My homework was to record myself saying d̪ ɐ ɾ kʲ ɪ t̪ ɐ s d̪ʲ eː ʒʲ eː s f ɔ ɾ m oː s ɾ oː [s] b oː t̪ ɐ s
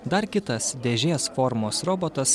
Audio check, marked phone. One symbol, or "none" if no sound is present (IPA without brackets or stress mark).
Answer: none